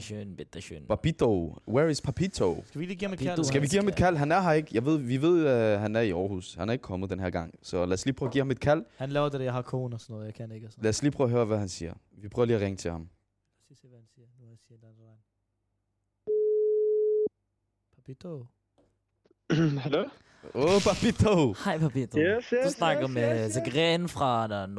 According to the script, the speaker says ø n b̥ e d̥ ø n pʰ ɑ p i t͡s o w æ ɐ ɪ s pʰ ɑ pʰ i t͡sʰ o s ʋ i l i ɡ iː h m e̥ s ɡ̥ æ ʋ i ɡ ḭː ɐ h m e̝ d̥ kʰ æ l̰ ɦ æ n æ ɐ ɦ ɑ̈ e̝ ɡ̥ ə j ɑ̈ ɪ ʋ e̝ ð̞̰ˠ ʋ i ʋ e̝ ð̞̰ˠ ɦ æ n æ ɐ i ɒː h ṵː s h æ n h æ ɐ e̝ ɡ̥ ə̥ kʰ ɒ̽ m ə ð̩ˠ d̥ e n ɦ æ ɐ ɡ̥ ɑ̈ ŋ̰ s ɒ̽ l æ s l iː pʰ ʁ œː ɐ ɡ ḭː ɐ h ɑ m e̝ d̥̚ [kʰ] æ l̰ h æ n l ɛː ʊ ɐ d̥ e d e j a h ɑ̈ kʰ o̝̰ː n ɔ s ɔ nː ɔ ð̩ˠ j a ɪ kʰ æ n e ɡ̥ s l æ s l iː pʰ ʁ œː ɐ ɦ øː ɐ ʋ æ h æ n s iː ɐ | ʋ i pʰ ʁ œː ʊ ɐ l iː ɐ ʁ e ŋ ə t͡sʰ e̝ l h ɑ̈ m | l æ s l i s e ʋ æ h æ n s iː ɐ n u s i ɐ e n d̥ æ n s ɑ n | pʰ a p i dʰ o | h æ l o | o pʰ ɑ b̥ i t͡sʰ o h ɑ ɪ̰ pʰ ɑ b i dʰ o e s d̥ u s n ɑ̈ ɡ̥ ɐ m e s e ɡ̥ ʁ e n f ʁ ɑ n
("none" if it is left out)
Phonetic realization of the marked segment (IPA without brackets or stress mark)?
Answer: kʰ